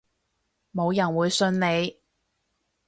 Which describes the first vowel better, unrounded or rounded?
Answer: rounded